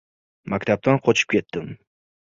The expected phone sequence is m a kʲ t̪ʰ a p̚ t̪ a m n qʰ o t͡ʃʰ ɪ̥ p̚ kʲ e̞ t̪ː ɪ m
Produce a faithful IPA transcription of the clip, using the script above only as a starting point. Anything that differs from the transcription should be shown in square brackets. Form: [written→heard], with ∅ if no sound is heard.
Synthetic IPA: m a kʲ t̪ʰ a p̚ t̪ a [m→∅] n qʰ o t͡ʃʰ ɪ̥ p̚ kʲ e̞ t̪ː ɪ m